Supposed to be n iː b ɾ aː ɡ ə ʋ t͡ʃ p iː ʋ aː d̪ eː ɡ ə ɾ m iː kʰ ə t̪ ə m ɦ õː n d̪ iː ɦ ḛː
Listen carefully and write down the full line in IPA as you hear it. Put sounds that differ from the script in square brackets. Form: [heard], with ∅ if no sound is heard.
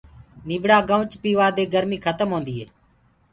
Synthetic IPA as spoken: n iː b [ɽ] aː ɡ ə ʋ t͡ʃ p iː ʋ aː d̪ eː ɡ ə ɾ m iː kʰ ə t̪ ə m ɦ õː n d̪ iː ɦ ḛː